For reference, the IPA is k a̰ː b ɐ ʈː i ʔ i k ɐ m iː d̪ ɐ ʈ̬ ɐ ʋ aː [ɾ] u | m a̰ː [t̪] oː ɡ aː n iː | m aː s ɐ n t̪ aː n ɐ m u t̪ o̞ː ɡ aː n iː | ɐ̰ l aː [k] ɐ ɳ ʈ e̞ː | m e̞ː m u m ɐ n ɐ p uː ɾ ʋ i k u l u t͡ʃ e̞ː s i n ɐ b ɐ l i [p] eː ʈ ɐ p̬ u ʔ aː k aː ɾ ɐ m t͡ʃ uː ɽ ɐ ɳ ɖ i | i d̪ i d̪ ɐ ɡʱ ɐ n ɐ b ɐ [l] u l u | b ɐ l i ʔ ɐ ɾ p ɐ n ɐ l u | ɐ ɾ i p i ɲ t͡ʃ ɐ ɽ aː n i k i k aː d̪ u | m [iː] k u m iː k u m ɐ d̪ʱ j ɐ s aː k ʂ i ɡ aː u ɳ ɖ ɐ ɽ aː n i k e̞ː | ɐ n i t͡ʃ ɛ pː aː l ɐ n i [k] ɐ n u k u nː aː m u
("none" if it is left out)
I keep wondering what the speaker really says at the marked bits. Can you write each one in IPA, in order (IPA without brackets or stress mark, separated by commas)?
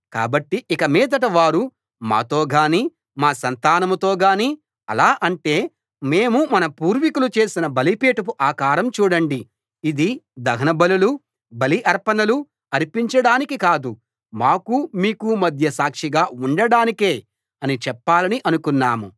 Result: ɾ, t̪, ʔ, p, l, aː, ʔ